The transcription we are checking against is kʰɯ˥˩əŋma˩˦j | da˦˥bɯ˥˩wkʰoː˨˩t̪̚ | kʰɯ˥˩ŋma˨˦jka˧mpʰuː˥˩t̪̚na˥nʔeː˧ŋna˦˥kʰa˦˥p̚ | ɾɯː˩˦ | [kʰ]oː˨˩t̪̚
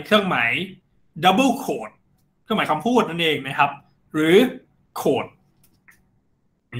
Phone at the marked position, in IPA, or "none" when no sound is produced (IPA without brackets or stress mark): kʰ